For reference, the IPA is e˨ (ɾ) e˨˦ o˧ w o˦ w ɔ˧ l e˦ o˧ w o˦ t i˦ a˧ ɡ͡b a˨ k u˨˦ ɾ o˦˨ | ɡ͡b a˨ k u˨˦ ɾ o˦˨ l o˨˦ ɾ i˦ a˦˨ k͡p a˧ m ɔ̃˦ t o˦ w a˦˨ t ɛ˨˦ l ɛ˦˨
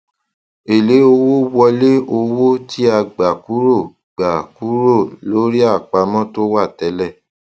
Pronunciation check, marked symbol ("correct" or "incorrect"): incorrect